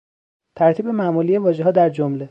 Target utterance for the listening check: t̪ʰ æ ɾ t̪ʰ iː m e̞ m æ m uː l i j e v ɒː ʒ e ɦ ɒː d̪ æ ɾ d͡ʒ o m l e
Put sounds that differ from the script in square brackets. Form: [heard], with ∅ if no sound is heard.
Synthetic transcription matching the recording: t̪ʰ æ ɾ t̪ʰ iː [b] e̞ m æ m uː l i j e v ɒː ʒ e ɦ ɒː d̪ æ ɾ d͡ʒ o m l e